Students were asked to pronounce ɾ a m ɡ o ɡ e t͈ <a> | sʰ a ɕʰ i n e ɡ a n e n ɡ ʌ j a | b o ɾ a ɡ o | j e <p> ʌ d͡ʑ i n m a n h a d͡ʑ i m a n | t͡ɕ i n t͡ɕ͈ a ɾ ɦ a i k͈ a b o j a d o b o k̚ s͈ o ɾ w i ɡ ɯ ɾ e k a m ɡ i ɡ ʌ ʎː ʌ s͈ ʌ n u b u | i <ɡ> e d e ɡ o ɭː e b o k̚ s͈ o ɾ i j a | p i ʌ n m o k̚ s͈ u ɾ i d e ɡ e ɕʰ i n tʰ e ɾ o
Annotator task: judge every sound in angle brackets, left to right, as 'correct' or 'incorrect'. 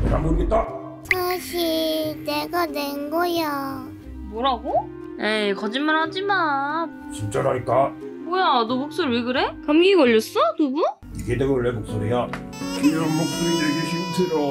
correct, incorrect: k, correct

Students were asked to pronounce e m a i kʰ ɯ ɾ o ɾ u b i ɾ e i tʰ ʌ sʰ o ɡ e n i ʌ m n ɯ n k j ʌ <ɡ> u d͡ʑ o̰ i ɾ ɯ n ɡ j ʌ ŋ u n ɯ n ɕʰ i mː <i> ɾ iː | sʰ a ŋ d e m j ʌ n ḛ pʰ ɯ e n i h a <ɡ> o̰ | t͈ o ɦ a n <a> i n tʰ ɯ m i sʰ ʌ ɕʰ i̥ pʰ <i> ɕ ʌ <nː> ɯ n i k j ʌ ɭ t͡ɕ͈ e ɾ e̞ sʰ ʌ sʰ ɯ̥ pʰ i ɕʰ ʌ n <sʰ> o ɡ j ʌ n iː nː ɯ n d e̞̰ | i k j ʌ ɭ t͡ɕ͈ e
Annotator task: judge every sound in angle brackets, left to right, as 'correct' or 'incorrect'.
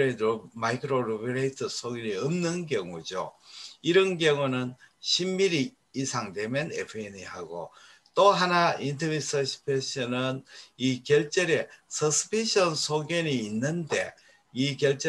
incorrect: ŋ, correct, correct, correct, incorrect: e, incorrect: n, correct

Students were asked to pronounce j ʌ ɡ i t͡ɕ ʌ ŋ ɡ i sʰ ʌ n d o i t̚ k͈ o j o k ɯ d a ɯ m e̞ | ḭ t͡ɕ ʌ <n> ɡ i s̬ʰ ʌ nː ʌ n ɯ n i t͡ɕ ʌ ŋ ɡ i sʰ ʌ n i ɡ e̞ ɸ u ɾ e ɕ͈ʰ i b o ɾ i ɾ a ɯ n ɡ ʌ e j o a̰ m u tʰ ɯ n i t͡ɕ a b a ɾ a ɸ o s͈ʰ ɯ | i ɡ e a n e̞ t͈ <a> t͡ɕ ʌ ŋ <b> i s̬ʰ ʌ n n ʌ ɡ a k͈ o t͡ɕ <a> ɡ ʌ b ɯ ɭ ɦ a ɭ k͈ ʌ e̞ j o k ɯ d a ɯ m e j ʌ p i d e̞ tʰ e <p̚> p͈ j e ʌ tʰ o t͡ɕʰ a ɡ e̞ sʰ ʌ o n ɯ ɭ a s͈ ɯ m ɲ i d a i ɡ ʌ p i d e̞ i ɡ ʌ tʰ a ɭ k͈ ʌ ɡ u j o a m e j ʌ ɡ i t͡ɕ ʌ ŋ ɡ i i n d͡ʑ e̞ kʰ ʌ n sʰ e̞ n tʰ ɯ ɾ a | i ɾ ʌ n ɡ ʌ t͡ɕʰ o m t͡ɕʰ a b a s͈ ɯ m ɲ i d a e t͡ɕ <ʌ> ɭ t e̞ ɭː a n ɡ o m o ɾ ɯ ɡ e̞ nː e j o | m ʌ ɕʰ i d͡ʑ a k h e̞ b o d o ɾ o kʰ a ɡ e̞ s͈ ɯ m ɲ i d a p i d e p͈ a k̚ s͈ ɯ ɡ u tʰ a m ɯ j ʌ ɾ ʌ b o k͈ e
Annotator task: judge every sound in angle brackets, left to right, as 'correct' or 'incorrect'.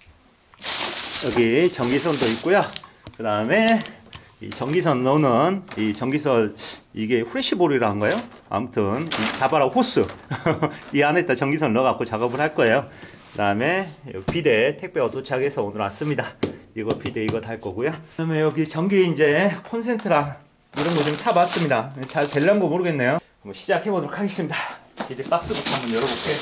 incorrect: ŋ, correct, incorrect: ɡ, correct, incorrect: k̚, incorrect: a

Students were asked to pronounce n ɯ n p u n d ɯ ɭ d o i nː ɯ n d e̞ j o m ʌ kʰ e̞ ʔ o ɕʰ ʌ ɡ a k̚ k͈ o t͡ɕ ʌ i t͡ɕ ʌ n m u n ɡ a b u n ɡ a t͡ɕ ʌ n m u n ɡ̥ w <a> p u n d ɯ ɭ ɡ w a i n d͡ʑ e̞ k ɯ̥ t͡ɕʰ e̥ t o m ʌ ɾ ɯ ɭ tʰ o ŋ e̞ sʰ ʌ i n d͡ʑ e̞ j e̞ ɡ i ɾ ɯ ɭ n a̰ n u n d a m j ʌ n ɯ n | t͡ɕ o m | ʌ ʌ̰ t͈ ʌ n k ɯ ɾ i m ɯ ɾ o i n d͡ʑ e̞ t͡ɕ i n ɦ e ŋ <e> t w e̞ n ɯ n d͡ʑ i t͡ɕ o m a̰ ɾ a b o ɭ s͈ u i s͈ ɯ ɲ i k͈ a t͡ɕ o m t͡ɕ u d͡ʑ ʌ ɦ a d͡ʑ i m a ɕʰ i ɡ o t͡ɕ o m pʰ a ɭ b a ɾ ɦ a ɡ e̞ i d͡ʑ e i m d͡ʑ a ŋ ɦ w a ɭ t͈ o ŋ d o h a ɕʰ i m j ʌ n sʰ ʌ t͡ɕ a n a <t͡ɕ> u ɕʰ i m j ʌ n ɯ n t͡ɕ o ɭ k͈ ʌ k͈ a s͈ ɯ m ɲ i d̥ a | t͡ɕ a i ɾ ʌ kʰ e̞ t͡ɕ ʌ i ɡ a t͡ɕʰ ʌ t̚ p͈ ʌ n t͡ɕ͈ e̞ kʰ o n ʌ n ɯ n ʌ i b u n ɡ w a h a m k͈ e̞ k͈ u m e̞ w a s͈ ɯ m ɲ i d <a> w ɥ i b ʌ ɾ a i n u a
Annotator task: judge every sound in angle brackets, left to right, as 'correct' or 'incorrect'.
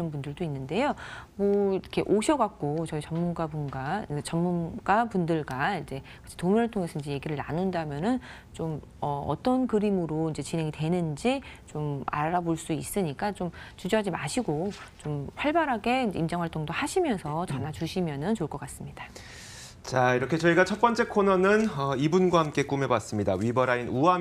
correct, incorrect: i, correct, correct

